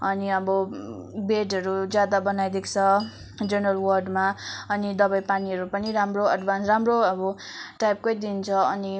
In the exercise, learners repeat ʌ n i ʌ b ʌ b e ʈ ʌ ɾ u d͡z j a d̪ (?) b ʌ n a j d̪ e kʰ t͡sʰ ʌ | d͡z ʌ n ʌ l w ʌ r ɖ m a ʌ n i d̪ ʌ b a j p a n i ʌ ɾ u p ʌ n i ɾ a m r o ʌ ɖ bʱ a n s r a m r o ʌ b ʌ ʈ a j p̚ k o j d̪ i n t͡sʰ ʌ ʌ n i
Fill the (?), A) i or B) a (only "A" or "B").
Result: B